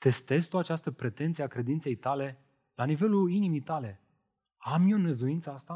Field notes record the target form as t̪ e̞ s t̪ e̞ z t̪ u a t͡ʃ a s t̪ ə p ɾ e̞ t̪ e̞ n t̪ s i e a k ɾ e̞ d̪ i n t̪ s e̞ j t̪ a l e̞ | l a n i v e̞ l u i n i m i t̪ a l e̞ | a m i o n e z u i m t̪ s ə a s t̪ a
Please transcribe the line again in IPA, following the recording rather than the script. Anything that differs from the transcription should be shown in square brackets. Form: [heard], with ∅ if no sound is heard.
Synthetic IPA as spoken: t̪ e̞ s t̪ e̞ z t̪ u a t͡ʃ a s t̪ ə p ɾ e̞ t̪ e̞ n t̪ s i e a k ɾ e̞ d̪ i n t̪ s e̞ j t̪ a l e̞ | l a n i v e̞ l u i n i m i t̪ a l e̞ | a m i o n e z u i [n] t̪ s ə a s t̪ a